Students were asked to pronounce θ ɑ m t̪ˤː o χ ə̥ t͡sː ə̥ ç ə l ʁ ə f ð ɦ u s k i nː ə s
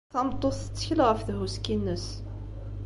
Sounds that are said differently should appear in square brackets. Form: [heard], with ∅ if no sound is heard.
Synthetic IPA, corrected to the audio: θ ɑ m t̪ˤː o [θ] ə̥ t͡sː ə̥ ç ə l ʁ ə f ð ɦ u s k i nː ə s